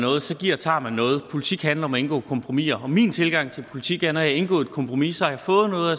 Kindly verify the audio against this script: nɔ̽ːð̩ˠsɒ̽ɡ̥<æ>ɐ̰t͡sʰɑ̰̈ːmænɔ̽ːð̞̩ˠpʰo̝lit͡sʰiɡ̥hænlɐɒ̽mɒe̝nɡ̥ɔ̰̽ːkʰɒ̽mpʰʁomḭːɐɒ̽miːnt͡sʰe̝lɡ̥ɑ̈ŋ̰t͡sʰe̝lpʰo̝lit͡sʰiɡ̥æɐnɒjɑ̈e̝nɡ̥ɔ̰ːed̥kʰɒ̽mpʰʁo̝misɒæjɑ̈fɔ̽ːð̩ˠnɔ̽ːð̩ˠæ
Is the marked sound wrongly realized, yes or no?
yes